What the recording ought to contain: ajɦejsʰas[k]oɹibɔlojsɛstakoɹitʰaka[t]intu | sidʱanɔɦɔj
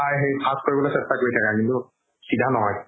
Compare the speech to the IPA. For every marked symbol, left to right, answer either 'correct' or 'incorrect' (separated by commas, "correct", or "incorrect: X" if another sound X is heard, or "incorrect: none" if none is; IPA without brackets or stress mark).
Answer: correct, incorrect: k